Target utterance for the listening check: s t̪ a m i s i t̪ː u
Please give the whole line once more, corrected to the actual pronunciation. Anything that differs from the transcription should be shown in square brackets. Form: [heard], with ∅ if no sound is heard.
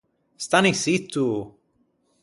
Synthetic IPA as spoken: s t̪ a [n] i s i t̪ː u